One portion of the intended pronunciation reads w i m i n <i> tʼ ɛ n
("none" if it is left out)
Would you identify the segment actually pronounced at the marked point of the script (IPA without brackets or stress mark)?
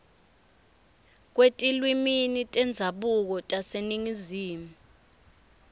i